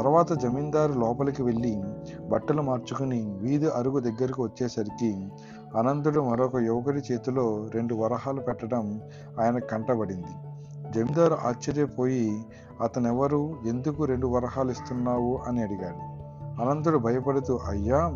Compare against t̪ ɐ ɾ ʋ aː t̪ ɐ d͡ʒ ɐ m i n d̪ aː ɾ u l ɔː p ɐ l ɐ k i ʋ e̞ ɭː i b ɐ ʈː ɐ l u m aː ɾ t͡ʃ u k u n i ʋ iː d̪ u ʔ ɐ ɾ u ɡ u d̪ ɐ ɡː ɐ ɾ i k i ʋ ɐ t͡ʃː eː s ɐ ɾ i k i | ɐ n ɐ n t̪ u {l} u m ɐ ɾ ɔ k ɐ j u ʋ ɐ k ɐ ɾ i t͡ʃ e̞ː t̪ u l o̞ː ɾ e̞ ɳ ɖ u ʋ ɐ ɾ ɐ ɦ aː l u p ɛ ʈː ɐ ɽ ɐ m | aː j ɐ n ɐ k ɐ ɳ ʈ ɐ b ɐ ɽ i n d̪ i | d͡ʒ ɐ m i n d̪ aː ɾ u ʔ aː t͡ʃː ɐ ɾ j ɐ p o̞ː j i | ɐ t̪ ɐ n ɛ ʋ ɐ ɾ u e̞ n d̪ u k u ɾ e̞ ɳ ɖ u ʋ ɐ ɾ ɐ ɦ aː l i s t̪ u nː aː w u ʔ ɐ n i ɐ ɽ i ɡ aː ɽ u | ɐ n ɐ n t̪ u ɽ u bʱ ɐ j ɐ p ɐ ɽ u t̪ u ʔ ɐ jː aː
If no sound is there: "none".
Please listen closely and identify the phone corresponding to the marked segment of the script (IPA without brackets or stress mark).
ɽ